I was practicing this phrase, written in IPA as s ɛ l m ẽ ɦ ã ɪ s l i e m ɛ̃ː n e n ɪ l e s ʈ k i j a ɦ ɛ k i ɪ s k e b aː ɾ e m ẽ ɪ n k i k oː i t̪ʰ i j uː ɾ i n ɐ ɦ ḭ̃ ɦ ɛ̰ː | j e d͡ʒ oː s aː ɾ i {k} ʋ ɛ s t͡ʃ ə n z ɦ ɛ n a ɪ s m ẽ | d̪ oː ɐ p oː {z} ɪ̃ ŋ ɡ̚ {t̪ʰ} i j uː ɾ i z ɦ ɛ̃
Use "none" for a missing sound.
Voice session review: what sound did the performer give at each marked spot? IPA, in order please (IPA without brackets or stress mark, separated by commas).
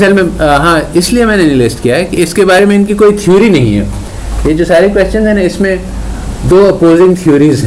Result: k, z, t̪ʰ